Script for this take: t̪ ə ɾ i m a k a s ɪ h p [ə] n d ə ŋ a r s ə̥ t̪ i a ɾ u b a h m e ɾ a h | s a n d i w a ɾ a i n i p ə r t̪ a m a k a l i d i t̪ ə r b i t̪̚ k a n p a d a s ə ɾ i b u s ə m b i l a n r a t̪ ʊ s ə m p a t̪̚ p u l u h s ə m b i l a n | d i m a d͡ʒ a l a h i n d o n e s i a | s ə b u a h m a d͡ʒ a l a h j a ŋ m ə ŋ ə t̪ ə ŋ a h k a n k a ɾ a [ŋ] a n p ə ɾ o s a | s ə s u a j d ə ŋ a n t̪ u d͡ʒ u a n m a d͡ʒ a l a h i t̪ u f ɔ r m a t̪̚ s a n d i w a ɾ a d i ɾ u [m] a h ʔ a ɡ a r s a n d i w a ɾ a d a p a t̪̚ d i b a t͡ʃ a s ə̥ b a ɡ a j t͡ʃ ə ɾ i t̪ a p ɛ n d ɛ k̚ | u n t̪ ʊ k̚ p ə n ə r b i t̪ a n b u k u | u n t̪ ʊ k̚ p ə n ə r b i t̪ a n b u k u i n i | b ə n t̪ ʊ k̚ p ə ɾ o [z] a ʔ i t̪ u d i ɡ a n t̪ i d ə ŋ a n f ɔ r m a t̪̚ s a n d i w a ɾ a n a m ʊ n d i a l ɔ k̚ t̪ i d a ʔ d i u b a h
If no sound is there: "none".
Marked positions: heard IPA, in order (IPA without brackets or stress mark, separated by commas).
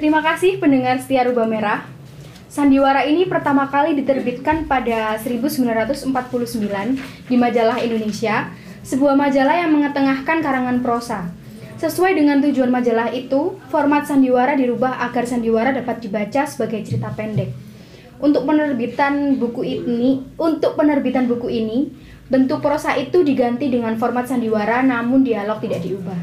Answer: ə, ŋ, b, s